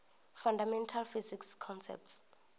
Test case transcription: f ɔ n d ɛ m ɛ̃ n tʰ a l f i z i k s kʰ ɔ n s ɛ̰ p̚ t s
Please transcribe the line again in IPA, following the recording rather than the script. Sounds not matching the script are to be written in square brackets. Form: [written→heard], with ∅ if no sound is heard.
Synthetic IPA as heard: f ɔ n d [ɛ→a] m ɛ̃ n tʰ a l f i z i k s kʰ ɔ n s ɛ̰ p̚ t s

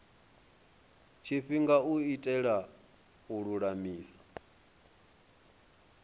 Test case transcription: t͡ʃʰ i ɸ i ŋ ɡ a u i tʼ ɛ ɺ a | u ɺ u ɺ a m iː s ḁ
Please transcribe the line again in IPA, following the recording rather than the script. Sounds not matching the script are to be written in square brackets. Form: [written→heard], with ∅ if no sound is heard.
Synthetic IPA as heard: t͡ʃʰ i ɸ i ŋ ɡ a u i tʼ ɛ ɺ a | u ɺ u ɺ a m iː s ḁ

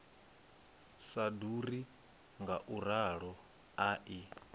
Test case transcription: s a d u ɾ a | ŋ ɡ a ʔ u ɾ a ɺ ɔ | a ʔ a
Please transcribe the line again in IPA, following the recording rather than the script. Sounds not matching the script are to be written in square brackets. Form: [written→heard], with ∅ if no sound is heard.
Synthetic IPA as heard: s a d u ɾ [a→i] | ŋ ɡ a ʔ u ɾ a ɺ ɔ | a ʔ [a→i]

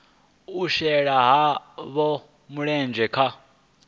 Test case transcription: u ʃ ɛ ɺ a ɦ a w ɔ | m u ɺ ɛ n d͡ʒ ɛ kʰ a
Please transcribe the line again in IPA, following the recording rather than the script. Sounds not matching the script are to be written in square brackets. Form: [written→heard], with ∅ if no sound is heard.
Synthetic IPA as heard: u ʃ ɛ ɺ a ɦ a [w→β] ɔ | m u ɺ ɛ n d͡ʒ ɛ kʰ a

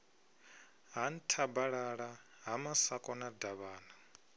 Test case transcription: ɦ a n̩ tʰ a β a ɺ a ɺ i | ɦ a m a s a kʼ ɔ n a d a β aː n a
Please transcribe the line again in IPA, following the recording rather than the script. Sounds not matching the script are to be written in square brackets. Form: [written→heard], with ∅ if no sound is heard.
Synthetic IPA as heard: ɦ a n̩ tʰ a [β→b] a ɺ a ɺ [i→a] | ɦ a m a s a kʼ ɔ n a d a β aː n a

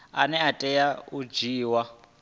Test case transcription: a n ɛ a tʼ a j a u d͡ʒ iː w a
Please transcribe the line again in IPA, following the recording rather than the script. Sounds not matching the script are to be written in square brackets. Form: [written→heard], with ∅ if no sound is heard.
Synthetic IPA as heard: a n ɛ a tʼ [a→ɛ] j a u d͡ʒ iː w a

